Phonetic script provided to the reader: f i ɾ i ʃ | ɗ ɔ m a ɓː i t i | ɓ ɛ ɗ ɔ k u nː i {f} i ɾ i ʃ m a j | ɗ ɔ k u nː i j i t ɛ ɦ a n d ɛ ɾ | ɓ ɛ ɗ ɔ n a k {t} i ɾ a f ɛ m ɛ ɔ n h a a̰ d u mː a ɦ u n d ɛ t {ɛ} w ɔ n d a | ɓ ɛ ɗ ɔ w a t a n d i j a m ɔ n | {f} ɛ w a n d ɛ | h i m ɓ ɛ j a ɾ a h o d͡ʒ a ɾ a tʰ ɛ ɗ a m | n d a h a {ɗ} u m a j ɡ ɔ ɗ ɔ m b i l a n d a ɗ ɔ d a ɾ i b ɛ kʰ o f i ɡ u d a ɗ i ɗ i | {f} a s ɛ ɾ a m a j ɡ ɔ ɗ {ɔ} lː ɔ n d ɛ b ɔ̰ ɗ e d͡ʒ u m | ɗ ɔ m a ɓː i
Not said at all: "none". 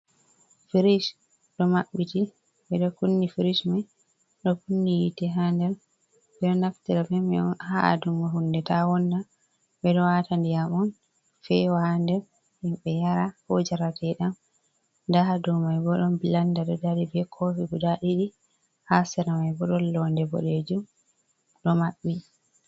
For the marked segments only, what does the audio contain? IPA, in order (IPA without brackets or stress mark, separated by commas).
f, t, a, f, d, h, ɔ